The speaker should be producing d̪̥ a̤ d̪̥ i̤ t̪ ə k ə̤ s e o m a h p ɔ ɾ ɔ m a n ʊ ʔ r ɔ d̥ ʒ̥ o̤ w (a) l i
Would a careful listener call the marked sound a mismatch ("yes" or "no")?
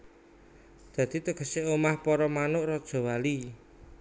no